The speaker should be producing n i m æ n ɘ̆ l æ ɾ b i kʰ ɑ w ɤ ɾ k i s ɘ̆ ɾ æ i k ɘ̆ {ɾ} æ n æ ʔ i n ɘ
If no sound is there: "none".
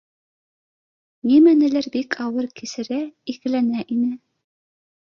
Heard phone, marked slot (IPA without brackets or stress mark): l